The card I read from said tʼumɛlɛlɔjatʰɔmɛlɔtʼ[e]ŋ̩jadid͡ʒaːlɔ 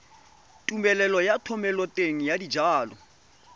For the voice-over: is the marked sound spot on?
yes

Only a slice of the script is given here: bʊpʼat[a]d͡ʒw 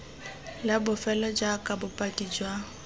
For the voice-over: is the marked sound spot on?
no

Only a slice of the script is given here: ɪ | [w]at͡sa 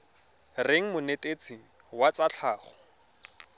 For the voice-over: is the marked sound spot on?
yes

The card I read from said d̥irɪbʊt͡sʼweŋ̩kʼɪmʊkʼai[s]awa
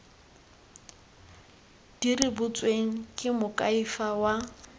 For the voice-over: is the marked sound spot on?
no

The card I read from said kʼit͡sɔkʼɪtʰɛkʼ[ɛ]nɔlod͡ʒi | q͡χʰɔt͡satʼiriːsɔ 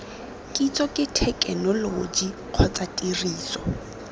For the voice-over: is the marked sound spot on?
yes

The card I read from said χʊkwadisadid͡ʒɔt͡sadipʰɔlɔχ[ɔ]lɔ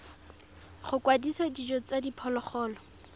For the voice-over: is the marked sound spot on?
no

